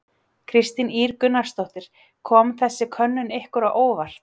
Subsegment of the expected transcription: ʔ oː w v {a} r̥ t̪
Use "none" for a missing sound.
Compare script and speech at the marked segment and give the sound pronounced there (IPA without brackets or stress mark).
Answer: a